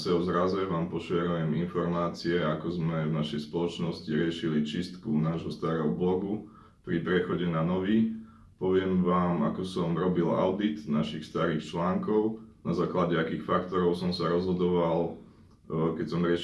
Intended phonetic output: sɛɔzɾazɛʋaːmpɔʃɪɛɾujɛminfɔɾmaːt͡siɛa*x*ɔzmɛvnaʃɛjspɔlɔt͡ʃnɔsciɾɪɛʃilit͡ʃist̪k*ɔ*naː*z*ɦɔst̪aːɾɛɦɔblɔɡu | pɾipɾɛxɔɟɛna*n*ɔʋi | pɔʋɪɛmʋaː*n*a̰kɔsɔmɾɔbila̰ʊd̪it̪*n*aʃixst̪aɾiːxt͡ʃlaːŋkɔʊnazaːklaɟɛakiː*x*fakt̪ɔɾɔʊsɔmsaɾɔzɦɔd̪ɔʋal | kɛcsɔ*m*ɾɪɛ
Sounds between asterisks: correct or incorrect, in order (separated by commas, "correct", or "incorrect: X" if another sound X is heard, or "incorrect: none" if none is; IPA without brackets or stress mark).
incorrect: k, incorrect: u, incorrect: ʒ, correct, incorrect: m, correct, correct, correct